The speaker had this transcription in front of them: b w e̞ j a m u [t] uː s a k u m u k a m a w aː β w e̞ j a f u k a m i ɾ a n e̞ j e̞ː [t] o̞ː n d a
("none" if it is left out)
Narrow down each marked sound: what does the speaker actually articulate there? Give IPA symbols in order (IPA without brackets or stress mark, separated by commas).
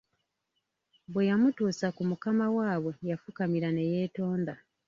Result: t, t